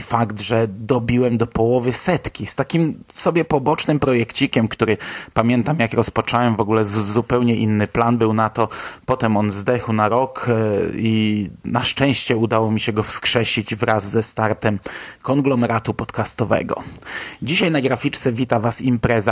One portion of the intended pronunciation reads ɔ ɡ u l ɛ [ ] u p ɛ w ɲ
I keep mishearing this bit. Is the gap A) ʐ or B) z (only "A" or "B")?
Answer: B